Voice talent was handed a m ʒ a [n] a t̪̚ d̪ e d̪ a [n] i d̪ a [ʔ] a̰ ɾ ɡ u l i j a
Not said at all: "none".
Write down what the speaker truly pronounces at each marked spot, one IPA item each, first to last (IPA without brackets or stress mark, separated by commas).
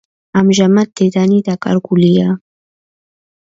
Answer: m, n, k